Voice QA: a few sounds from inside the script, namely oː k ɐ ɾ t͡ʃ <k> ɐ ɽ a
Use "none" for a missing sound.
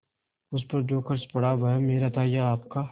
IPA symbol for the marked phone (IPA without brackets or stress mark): p